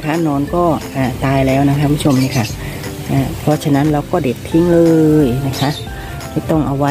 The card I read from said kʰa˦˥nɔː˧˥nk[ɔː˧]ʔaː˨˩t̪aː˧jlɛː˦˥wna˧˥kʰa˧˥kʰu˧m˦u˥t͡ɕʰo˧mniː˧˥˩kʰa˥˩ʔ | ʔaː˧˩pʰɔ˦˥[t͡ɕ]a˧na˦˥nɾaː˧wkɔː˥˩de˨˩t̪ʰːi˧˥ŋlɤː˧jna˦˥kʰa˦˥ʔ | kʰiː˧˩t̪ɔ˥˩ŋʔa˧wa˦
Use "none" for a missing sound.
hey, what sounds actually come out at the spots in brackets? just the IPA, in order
ɔː˥˩, t͡ɕʰ

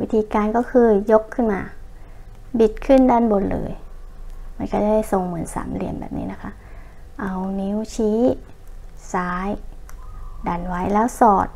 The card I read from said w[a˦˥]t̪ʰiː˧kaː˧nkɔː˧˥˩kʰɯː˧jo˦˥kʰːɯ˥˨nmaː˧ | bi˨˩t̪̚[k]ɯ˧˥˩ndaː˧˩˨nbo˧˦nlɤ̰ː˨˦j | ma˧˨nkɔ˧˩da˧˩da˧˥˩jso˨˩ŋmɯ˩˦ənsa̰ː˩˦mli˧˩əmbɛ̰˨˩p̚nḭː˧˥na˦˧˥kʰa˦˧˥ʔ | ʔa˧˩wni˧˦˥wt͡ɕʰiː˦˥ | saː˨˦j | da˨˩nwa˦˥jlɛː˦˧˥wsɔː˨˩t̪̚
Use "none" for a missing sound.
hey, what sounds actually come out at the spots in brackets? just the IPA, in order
i˦˥, kʰ

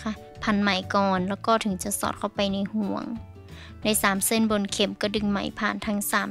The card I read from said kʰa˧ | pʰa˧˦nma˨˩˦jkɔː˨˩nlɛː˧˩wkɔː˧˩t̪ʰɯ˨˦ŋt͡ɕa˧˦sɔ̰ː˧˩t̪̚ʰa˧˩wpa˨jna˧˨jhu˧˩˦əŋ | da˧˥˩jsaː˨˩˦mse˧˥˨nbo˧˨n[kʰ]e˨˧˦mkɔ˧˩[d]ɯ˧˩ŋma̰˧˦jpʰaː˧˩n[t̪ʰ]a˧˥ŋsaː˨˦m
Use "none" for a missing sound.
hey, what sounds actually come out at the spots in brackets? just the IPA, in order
kʰ, d, t̪ʰ

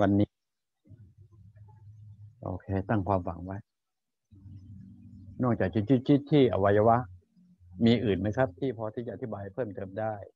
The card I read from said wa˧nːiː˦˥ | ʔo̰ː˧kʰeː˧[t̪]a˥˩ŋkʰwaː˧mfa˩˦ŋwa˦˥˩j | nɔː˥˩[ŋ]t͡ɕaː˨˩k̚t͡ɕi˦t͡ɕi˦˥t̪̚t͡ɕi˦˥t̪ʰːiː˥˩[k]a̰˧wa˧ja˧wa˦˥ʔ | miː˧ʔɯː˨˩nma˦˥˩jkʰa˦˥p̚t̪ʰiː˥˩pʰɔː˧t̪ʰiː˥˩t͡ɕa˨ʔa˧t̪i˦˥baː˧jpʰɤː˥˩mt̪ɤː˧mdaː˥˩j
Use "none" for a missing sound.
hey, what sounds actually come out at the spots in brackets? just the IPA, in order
t̪, ŋ, ʔ

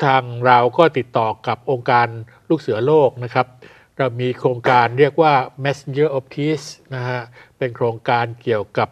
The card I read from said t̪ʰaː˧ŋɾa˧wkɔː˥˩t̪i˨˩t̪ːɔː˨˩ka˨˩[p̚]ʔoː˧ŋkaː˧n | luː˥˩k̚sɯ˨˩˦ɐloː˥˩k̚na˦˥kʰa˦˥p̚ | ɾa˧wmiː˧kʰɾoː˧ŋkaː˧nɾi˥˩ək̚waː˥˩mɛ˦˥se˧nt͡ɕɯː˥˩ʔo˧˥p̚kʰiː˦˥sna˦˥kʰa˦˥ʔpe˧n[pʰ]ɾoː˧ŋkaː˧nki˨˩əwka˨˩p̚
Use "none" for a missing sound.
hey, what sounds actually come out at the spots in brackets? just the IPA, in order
p̚, kʰ

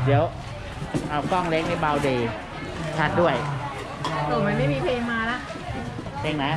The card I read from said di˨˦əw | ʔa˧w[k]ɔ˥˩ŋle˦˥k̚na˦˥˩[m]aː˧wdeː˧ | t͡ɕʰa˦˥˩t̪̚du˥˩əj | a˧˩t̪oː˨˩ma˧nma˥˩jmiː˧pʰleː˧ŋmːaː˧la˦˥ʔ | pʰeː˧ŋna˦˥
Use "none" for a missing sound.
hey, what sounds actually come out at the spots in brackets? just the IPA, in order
k, b

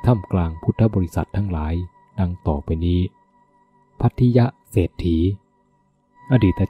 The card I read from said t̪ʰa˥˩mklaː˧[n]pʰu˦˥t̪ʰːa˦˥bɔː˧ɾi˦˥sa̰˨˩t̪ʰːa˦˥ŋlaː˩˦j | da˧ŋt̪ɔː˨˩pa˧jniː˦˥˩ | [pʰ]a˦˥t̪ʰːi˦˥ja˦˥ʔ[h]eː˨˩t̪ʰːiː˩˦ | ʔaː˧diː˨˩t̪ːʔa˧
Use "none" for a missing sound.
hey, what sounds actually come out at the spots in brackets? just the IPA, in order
ŋ, pʰ, s

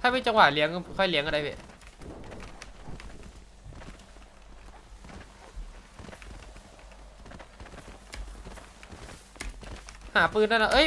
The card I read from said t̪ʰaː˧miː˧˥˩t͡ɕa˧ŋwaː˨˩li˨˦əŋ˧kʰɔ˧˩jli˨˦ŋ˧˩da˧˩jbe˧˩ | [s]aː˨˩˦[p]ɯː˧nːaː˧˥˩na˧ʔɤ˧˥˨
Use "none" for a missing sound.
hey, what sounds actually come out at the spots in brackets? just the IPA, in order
h, p

